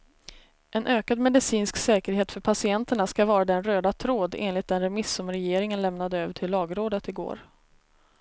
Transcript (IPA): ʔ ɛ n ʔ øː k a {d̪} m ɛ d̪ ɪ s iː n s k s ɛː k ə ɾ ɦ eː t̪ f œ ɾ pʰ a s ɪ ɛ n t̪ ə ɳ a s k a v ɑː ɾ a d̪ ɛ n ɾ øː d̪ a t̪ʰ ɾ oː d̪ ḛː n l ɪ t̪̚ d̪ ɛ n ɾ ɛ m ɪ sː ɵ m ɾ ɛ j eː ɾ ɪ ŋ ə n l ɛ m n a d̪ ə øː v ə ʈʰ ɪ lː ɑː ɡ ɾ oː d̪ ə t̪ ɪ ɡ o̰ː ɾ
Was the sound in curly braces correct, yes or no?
yes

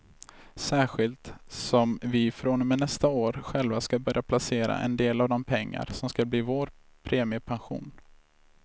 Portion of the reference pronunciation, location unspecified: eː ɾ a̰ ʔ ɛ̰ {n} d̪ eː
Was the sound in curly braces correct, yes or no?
yes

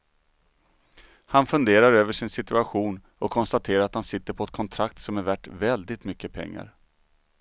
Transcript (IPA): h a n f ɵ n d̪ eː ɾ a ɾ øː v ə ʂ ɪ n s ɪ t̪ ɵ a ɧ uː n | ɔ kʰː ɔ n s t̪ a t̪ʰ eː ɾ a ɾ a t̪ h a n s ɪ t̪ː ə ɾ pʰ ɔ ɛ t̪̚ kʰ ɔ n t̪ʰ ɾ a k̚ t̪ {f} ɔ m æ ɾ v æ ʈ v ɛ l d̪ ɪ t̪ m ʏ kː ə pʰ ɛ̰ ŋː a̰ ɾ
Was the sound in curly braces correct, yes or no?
no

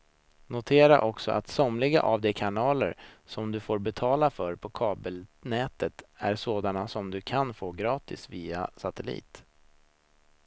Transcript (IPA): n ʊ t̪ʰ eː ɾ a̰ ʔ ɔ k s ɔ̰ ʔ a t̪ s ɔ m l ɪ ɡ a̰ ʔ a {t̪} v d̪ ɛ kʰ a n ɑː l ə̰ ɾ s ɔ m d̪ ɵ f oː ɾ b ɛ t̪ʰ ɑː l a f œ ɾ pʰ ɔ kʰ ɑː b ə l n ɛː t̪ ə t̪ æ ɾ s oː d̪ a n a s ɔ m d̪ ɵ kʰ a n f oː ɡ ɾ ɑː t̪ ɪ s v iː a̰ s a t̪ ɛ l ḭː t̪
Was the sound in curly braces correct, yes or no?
no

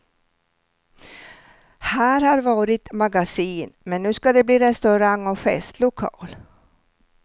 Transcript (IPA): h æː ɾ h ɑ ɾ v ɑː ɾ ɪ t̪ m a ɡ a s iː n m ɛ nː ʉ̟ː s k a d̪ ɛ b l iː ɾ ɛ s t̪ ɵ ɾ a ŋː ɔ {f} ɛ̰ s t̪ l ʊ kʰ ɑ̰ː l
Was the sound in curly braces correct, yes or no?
yes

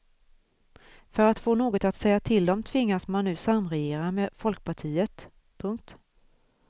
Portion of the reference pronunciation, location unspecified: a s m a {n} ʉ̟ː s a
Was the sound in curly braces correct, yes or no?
no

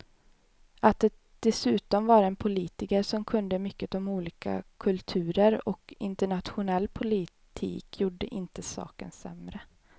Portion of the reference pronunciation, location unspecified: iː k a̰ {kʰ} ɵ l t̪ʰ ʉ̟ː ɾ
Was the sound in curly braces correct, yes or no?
yes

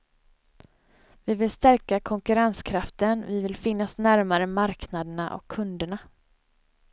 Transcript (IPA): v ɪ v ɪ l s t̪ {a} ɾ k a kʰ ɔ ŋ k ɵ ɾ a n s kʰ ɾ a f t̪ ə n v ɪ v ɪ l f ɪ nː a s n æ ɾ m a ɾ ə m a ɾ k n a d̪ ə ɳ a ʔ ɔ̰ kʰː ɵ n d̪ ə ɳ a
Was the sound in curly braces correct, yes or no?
no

